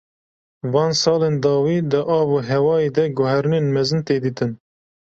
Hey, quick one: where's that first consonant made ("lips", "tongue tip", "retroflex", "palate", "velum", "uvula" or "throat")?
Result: lips